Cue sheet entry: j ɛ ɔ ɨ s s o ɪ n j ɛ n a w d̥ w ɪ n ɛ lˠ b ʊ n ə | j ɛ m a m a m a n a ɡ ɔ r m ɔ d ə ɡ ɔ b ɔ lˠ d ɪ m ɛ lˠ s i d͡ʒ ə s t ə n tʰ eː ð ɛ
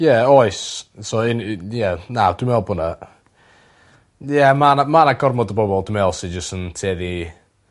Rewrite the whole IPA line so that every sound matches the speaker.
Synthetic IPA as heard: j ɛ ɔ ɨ s s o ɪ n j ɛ n a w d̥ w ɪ m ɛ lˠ b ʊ n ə | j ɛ m a n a m a n a ɡ ɔ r m ɔ d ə b ɔ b ɔ lˠ d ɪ m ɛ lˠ s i d͡ʒ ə s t ə n tʰ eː ð i